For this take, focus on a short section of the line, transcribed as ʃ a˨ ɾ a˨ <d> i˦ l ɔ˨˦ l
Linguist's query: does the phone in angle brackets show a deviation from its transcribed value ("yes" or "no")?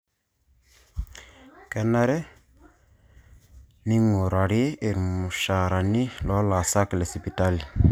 yes